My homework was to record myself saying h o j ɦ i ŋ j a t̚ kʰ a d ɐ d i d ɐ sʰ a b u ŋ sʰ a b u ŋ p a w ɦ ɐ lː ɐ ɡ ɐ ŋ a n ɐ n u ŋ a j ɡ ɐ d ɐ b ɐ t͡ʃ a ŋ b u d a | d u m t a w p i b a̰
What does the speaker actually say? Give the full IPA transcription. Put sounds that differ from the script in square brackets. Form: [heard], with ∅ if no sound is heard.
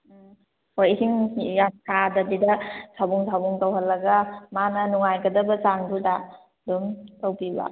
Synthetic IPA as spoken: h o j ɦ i ŋ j a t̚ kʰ a d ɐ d i d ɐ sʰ a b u ŋ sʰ a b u ŋ [t] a w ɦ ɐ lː ɐ ɡ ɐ [m] a n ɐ n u ŋ a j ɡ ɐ d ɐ b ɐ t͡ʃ a ŋ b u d a | d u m t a w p i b a̰

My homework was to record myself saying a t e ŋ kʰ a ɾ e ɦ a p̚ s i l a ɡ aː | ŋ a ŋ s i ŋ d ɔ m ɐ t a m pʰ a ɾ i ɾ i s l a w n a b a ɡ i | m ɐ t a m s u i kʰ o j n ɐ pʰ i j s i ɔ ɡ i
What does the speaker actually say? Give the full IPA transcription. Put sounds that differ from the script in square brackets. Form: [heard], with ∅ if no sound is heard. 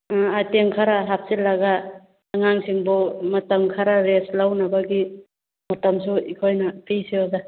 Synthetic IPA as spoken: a t e ŋ kʰ a ɾ [a] ɦ a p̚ s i l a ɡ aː | ŋ a ŋ s i ŋ [b] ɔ m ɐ t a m [kʰ] a ɾ [a] ɾ [e] s l a w n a b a ɡ i | m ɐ t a m s u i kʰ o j n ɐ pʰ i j s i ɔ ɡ [a]

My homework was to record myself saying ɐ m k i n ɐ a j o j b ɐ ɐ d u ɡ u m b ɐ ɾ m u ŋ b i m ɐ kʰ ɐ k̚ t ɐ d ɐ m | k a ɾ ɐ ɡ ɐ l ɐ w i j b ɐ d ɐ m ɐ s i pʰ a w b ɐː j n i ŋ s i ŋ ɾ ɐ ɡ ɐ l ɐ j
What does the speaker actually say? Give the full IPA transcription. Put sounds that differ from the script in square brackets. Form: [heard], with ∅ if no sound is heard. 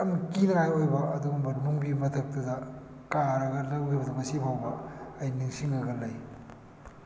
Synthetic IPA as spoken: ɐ m k i n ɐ a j o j b ɐ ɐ d u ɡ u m b ɐ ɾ m u ŋ b i m ɐ [tʰ] ɐ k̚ t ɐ d ɐ [∅] | k a ɾ ɐ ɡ ɐ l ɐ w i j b ɐ d ɐ m ɐ s i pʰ a w b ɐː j n i ŋ s i ŋ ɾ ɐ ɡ ɐ l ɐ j

